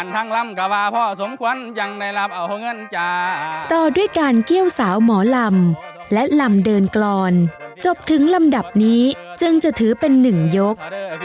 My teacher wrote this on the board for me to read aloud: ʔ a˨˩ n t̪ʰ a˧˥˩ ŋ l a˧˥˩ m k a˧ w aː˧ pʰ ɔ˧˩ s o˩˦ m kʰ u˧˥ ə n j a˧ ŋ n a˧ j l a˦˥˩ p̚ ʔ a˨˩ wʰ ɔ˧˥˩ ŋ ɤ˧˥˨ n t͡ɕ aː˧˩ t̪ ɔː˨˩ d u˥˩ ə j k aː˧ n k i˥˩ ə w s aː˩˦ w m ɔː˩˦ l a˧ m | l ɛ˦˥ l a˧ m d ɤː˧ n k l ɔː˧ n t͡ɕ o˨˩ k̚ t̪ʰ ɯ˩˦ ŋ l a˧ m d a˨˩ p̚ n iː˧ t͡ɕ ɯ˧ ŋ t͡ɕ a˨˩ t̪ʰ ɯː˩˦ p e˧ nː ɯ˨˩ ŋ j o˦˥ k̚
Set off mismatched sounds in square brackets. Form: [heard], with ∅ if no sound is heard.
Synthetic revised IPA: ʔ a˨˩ n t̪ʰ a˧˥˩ ŋ l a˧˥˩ m k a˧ w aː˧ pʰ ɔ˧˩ s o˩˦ m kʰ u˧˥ ə n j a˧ ŋ n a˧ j l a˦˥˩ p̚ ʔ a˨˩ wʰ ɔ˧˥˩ ŋ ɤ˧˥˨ n t͡ɕ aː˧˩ t̪ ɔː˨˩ d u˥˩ ə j k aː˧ n k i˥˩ ə w s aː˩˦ w m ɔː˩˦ l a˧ m | l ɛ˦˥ l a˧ m d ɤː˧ n k l ɔː˧ n t͡ɕ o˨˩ [p̚] t̪ʰ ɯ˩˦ ŋ l a˧ m d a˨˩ p̚ n [iː˦˥] t͡ɕ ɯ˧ ŋ t͡ɕ a˨˩ t̪ʰ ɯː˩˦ p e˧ nː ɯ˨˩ ŋ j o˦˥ k̚